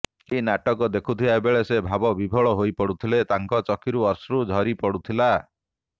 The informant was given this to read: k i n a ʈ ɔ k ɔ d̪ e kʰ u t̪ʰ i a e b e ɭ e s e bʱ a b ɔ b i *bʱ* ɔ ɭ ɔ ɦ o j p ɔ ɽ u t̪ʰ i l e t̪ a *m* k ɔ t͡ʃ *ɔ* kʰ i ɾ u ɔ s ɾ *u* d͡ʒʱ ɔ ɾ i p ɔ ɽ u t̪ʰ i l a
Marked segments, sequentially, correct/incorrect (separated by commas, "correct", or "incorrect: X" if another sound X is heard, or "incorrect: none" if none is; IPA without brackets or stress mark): correct, incorrect: ŋ, correct, correct